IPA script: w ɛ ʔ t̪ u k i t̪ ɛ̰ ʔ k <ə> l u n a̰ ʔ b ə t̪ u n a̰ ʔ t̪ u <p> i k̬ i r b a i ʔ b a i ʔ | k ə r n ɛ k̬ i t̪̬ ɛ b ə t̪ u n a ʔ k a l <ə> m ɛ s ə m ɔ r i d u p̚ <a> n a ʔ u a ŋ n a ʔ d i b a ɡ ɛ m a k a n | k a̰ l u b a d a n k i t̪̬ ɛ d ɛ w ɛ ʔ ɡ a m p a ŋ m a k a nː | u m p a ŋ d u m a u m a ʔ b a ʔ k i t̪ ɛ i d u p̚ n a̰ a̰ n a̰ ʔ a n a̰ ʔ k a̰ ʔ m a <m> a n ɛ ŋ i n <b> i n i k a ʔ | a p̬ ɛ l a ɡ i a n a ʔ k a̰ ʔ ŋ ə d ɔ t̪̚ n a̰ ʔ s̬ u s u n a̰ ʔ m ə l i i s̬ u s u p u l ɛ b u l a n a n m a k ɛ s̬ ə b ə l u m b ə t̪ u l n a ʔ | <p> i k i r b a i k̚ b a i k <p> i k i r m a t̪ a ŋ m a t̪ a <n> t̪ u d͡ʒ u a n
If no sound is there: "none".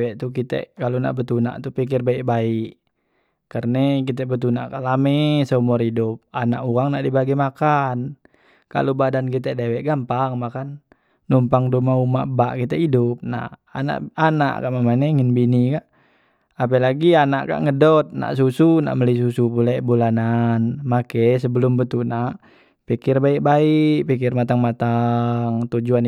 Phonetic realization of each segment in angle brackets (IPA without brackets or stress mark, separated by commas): a, p, a, a, m, b, p, p, ŋ